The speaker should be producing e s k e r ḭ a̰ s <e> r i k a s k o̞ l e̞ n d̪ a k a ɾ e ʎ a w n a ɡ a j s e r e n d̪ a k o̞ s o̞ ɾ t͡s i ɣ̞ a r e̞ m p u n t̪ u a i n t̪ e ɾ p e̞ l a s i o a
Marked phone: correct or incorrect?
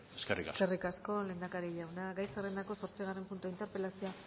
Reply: correct